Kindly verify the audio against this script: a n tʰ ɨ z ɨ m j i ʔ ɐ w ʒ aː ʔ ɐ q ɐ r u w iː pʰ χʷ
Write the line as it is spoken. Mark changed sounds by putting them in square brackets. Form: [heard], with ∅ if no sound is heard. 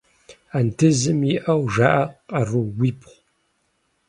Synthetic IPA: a n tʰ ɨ z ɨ m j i ʔ ɐ w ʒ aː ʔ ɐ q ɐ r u w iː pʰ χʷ